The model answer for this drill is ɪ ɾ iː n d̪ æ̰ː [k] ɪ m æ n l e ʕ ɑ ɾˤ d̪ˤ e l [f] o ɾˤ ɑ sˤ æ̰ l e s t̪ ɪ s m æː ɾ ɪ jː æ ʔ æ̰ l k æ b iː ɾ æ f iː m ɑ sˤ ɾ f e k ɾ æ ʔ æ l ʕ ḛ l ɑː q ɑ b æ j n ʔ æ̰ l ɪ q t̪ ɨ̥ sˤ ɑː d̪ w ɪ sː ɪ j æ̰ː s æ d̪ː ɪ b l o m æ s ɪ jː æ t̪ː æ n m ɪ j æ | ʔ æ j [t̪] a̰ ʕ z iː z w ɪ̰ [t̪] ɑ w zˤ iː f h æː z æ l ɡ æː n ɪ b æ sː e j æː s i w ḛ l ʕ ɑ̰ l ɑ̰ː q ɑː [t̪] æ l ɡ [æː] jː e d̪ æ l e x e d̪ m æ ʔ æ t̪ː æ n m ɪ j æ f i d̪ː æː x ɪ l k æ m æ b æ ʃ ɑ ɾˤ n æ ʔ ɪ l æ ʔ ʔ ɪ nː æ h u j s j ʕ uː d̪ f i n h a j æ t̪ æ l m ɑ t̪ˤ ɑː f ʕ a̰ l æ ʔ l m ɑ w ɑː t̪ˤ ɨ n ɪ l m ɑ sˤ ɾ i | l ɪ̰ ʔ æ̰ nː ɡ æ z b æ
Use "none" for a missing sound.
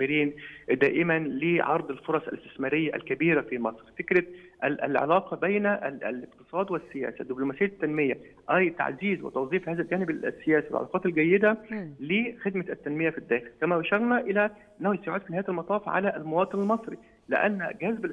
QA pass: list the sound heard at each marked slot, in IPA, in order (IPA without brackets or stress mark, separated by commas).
ʔ, f, t̪, t̪, t̪, æ